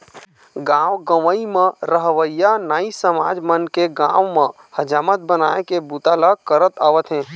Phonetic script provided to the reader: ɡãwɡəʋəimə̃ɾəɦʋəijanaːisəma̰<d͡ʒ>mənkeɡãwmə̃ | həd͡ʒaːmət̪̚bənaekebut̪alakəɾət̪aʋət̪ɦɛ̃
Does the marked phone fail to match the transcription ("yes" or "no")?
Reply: no